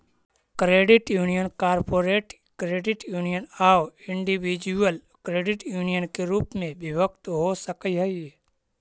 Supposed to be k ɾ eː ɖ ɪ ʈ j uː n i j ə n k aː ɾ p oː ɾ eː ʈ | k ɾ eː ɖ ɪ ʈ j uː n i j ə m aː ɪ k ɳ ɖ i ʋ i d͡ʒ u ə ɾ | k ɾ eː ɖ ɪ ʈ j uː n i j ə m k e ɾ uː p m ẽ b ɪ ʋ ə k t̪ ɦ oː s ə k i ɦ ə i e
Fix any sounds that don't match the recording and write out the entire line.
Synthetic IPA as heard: k ɾ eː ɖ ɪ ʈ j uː n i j ə n k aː ɾ p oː ɾ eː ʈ | k ɾ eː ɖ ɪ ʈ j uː n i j ə n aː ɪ ɳ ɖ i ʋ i d͡ʒ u ə l | k ɾ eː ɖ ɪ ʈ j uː n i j ə n k e ɾ uː p m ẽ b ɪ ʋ ə k t̪ ɦ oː s ə k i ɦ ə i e